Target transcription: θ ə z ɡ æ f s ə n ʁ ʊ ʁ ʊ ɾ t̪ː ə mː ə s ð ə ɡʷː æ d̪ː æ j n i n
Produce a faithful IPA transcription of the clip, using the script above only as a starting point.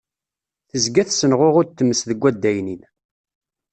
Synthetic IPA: θ ə z ɡ æ θ s ə n ʁ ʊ ʁ ʊ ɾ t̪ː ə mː ə s ð ə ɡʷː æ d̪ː æ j n i n